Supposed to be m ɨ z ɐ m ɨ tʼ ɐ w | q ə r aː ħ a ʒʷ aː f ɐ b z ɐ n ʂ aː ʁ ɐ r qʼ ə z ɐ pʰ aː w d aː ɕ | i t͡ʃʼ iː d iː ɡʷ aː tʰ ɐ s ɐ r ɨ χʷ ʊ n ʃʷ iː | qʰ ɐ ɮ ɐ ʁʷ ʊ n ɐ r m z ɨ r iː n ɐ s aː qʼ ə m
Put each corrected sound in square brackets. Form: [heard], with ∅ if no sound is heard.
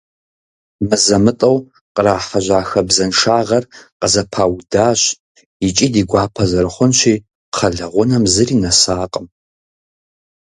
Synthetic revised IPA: m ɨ z ɐ m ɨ tʼ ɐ w | q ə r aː ħ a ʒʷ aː [x] ɐ b z ɐ n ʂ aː ʁ ɐ r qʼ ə z ɐ pʰ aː w d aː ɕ | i t͡ʃʼ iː d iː ɡʷ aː [pʰ] ɐ [z] ɐ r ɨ χʷ ʊ n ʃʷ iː | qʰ ɐ ɮ ɐ ʁʷ ʊ n ɐ [∅] m z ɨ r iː n ɐ s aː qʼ ə m